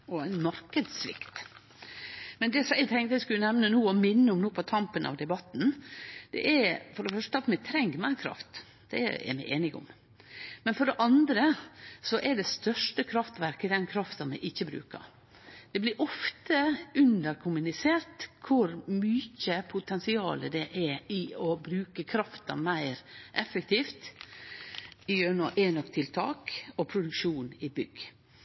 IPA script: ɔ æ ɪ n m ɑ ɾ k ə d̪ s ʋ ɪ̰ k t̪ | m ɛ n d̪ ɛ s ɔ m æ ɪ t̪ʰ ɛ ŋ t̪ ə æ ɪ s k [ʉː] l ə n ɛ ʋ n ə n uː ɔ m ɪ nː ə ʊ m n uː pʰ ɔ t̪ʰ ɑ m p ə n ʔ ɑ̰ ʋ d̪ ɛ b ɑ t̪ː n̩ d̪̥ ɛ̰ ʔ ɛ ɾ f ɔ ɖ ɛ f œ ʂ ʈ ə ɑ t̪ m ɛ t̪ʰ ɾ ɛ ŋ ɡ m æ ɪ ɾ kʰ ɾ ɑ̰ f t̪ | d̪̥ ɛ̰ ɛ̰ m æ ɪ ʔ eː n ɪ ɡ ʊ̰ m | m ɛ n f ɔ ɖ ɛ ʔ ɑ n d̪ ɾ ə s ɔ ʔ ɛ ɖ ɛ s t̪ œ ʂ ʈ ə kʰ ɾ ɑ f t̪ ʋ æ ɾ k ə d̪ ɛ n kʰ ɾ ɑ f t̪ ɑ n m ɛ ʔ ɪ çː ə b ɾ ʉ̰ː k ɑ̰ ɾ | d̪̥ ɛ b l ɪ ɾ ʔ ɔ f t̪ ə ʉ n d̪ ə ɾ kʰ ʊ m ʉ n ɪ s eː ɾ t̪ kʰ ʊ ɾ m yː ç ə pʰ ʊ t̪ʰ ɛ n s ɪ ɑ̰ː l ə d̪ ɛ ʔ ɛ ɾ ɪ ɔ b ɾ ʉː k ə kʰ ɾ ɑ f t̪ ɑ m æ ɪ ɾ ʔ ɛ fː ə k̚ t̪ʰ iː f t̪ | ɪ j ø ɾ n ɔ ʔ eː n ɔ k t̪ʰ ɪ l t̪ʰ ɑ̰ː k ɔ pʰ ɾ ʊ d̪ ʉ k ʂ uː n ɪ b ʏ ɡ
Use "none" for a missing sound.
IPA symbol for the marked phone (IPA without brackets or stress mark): ʉ